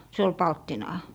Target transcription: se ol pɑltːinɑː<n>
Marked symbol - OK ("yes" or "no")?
no